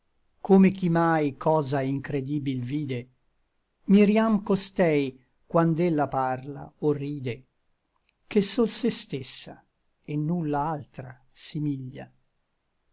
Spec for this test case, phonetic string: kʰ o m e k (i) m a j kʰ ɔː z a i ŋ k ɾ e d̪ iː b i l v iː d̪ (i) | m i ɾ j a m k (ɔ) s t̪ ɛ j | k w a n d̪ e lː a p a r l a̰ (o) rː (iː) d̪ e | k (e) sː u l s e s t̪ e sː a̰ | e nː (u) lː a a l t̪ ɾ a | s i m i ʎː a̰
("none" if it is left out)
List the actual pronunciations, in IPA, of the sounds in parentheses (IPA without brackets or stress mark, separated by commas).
i, e, o, o, iː, e, u